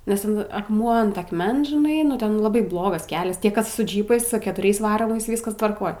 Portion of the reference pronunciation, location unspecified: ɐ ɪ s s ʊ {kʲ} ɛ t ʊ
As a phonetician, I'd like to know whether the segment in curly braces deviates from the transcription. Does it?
no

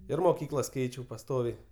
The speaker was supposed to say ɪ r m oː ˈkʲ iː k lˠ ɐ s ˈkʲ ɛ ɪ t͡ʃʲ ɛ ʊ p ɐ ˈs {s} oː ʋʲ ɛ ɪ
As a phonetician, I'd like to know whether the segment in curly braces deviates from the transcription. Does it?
yes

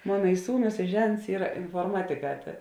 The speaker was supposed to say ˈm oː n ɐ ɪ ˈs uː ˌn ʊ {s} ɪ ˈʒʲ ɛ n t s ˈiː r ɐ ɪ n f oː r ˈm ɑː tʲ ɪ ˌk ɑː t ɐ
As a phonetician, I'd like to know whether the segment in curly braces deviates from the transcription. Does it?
no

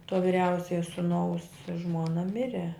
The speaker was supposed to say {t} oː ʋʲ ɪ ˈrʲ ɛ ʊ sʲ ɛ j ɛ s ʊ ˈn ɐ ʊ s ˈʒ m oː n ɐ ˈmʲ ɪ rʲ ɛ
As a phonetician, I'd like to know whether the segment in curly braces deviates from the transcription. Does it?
no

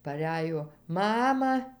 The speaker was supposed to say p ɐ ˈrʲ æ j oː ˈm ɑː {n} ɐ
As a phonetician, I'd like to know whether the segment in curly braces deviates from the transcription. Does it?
yes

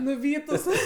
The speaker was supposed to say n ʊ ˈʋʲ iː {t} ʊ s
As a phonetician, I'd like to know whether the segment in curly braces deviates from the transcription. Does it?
no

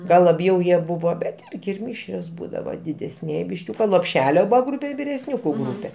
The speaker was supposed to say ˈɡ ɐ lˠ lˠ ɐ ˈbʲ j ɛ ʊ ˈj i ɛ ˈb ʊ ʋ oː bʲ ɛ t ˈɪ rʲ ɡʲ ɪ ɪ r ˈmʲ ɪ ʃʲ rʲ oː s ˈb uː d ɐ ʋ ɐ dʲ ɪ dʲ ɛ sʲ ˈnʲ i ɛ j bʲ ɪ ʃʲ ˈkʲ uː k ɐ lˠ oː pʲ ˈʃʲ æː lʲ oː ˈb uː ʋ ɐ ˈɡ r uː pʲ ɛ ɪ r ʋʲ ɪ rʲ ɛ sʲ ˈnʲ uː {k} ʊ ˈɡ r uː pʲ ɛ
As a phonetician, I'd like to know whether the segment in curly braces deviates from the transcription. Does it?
no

